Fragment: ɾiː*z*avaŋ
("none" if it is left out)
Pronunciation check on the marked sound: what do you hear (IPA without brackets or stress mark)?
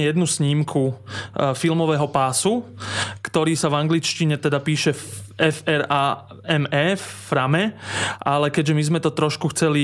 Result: s